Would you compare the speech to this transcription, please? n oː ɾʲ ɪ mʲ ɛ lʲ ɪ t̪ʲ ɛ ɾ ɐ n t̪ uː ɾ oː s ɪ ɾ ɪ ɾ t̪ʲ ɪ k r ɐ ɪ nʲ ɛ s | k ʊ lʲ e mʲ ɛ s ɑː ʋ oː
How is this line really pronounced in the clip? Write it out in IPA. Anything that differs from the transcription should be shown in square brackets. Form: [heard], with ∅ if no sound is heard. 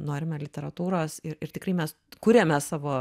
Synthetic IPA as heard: n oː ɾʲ ɪ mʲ ɛ lʲ ɪ t̪ʲ ɛ ɾ ɐ [∅] t̪ uː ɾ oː s ɪ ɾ ɪ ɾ t̪ʲ ɪ k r ɐ ɪ [mʲ] ɛ s | k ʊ [ɾʲ] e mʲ ɛ s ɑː ʋ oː